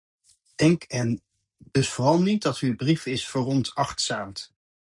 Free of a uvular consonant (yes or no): no